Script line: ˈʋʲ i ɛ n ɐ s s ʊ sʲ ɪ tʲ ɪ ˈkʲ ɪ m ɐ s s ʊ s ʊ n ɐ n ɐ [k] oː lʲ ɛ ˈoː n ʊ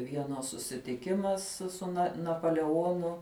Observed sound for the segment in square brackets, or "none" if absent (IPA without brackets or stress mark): p